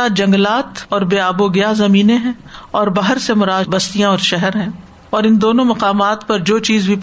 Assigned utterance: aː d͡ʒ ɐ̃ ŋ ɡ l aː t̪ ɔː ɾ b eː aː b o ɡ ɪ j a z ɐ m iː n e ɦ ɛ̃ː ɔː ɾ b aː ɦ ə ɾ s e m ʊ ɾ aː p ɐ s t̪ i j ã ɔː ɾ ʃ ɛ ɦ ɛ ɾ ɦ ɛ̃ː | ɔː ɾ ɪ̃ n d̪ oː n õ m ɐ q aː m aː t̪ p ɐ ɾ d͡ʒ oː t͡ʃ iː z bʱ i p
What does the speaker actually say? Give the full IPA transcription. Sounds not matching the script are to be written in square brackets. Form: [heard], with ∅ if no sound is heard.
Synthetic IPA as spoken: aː d͡ʒ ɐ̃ ŋ ɡ l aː t̪ ɔː ɾ b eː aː b o ɡ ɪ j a z ɐ m iː n e ɦ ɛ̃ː ɔː ɾ b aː ɦ ə ɾ s e m ʊ ɾ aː [b] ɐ s t̪ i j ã ɔː ɾ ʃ ɛ ɦ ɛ ɾ ɦ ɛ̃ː | ɔː ɾ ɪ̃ n d̪ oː n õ m ɐ q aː m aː t̪ p ɐ ɾ d͡ʒ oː t͡ʃ iː z bʱ i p